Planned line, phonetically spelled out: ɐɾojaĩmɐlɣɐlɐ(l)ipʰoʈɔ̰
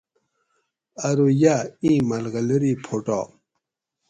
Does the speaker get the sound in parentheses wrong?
yes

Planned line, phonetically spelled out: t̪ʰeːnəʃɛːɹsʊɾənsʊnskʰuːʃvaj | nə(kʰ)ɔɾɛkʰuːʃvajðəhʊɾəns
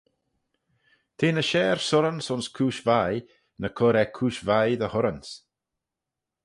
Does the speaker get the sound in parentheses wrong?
no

